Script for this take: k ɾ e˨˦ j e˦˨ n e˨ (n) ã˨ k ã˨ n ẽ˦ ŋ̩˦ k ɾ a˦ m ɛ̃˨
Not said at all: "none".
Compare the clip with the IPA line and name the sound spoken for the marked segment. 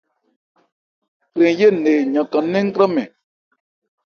ɲ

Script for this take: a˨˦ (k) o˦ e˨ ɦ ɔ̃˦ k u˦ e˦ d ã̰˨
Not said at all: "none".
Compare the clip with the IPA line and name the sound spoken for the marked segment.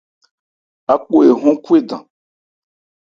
k͡p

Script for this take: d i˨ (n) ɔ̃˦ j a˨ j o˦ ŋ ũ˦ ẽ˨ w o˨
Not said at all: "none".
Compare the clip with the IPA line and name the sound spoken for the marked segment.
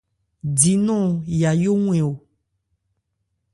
n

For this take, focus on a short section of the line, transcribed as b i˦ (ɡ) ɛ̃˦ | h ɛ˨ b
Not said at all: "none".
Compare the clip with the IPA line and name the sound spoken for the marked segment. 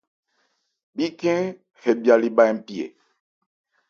k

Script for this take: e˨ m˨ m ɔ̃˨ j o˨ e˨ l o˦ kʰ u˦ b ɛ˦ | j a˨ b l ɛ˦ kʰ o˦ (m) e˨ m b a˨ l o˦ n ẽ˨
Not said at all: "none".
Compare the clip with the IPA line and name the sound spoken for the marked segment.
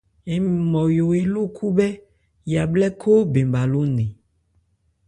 b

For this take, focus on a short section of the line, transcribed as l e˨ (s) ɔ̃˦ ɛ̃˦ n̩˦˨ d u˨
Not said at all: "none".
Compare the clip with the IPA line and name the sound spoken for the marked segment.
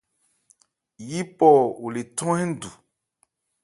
t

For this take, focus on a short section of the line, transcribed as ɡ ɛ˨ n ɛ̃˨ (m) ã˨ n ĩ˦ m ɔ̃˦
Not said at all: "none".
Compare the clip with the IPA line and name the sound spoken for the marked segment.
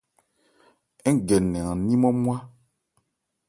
none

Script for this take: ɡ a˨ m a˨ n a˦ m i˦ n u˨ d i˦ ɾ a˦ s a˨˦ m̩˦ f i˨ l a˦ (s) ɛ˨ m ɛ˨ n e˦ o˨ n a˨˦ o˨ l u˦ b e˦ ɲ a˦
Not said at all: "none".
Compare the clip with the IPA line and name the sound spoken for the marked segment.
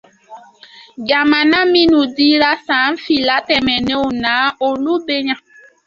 t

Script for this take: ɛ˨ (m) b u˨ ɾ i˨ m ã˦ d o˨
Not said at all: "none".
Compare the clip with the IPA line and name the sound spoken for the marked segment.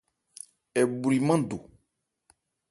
none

